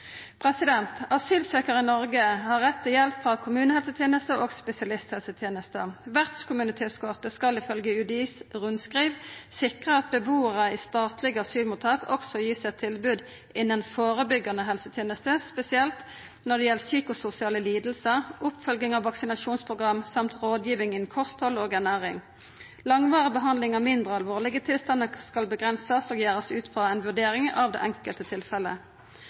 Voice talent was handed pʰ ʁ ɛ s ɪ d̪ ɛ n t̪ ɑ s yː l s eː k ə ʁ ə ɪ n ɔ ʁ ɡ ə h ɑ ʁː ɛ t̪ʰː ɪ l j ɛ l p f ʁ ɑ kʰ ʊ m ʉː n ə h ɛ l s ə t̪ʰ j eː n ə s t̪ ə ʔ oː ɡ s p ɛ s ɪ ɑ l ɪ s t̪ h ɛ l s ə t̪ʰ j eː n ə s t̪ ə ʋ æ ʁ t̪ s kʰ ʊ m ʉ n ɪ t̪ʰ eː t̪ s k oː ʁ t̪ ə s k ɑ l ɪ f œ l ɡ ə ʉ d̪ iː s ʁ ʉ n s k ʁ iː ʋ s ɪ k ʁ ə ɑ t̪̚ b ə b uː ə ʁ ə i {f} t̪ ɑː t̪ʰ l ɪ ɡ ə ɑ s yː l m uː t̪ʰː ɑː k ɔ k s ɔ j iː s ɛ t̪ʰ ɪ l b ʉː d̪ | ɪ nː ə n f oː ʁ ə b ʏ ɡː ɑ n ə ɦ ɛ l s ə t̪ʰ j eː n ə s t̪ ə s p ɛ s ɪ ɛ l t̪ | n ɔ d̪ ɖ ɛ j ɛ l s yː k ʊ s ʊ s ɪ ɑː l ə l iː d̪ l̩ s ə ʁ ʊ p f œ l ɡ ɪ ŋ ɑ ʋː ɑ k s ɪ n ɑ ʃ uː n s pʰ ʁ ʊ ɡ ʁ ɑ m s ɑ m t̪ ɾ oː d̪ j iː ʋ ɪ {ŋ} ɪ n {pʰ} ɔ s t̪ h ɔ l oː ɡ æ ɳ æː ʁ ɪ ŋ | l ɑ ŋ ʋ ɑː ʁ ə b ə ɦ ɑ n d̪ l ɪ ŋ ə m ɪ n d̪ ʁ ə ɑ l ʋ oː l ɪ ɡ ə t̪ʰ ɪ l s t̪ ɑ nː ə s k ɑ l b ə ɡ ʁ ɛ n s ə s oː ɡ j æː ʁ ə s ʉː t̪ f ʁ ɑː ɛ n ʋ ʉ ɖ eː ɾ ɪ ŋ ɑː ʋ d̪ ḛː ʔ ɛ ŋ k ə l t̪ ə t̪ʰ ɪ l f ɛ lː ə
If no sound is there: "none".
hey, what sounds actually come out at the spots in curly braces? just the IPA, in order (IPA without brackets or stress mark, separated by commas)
s, ŋ, kʰ